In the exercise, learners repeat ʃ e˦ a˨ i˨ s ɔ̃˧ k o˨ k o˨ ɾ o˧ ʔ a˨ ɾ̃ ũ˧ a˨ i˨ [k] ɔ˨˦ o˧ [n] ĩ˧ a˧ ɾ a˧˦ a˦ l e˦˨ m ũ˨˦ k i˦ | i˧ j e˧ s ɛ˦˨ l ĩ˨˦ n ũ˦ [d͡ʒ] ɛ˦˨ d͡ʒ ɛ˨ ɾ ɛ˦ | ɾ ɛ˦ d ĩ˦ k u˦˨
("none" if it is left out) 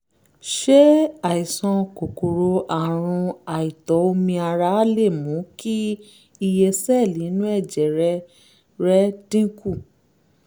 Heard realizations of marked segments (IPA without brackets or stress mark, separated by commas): t, m, none